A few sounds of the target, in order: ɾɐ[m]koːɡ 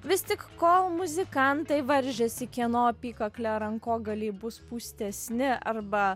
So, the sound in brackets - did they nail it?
no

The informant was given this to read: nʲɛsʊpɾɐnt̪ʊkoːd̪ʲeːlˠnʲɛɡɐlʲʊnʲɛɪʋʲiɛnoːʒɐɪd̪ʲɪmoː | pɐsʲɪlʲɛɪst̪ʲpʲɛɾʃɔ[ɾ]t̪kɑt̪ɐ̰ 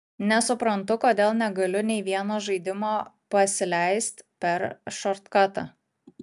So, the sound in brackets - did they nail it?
yes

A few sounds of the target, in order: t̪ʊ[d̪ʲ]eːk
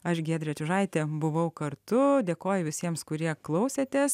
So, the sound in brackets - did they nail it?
yes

